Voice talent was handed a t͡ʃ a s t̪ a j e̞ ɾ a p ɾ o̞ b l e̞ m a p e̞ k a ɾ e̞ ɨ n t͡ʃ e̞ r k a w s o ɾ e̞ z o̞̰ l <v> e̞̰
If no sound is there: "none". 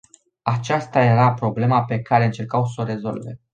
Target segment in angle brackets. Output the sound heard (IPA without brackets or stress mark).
v